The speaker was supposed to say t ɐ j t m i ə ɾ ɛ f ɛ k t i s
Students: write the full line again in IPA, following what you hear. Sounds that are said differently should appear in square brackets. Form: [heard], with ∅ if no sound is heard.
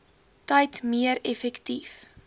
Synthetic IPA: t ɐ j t m i ə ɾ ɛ f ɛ k t i [f]